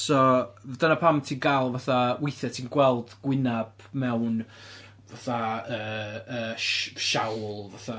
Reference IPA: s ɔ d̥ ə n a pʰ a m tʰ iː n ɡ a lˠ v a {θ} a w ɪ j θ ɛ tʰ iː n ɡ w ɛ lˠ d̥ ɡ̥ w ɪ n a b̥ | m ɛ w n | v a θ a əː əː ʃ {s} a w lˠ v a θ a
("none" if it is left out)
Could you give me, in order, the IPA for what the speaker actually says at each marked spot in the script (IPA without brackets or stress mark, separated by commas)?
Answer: θ, ʃ